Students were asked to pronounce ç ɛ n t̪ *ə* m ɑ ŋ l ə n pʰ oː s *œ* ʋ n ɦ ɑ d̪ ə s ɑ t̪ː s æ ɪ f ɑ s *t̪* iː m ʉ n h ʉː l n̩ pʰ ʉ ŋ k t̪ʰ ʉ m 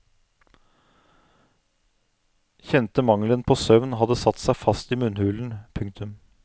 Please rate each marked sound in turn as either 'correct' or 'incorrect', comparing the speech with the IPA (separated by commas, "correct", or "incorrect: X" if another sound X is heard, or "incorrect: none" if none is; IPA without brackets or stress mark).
correct, correct, correct